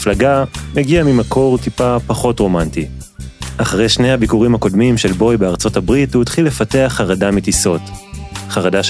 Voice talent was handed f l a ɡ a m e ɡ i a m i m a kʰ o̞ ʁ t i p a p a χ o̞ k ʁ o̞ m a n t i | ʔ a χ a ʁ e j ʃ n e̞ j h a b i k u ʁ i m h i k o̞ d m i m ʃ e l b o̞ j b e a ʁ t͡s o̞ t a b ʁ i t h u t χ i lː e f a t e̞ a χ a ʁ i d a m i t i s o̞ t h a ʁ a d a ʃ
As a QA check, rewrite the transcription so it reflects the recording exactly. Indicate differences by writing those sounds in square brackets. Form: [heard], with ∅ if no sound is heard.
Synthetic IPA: f l a ɡ a m e ɡ i a m i m a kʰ o̞ ʁ t i p a p a χ o̞ [t] ʁ o̞ m a n t i | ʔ a χ a ʁ e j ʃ n e̞ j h a b i k u ʁ i m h [a] k o̞ d m i m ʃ e l b o̞ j b e a ʁ t͡s o̞ t a b ʁ i t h u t χ i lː e f a t e̞ a χ a ʁ [a] d a m i t i s o̞ t [χ] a ʁ a d a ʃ